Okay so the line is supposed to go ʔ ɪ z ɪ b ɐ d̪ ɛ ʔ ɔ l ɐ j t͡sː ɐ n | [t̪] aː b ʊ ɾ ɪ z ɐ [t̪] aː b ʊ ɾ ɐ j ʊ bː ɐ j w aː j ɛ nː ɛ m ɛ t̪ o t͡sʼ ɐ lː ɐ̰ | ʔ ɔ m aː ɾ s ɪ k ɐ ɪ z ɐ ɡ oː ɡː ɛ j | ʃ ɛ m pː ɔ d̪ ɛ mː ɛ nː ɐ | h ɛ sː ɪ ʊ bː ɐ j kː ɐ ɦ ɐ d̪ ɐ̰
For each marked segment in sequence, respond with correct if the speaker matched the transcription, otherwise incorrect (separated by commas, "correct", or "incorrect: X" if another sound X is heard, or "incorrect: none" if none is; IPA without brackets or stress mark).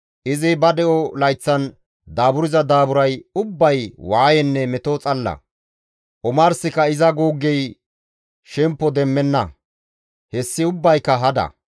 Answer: incorrect: d̪, incorrect: d̪